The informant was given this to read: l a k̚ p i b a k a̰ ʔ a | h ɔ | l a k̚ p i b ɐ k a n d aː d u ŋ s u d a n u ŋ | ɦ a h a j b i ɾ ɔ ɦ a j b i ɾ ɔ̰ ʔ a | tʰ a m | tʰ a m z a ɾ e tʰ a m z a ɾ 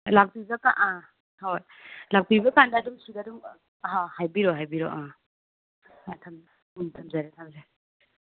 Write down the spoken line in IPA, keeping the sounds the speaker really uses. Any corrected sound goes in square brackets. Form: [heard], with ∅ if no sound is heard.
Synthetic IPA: l a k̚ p i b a k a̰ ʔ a | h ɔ | l a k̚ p i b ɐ k a n d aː d u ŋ s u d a [d] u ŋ | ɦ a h a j b i ɾ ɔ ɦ a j b i ɾ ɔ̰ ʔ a | tʰ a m | tʰ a m z a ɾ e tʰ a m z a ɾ